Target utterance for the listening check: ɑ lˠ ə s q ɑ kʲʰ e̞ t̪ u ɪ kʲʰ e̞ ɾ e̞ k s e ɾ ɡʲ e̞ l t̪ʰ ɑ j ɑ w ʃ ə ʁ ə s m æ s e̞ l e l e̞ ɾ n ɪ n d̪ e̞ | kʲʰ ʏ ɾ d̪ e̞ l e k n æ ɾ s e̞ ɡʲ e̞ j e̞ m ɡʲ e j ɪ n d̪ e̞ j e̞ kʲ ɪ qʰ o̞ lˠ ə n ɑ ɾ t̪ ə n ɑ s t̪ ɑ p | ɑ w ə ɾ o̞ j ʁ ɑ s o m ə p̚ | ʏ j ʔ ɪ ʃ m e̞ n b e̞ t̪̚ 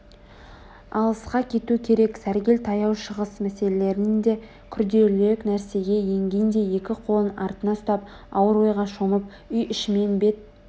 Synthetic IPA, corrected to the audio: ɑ lˠ ə s q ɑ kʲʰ e̞ t̪ u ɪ kʲʰ e̞ ɾ e̞ k s æ ɾ ɡʲ e̞ l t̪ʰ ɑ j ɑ w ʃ ə ʁ ə s m æ s e̞ l e l e̞ ɾ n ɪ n d̪ e̞ | kʲʰ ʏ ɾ d̪ e̞ l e k n æ ɾ s e̞ ɡʲ e̞ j e̞ ŋ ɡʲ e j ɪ n d̪ e̞ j e̞ kʲ ɪ qʰ o̞ lˠ ə n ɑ ɾ t̪ ə n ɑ s t̪ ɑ p | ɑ w ə ɾ o̞ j ʁ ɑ ʃ o m ə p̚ | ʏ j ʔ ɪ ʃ m e̞ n b e̞ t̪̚